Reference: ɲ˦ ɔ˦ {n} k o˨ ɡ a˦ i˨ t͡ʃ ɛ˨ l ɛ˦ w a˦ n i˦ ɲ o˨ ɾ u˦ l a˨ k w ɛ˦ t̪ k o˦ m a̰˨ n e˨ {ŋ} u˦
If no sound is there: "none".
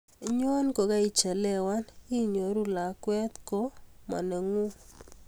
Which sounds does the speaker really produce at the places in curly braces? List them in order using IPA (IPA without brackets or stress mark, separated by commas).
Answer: n, ŋ